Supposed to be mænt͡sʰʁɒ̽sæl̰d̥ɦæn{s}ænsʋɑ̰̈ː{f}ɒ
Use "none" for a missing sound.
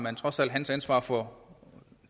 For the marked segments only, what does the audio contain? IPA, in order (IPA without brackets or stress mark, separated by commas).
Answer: s, f